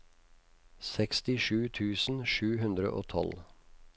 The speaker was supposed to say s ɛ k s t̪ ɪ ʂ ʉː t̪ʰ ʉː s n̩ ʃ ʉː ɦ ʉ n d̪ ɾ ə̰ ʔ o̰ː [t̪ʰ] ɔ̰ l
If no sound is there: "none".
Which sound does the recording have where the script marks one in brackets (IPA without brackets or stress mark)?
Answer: t̪ʰ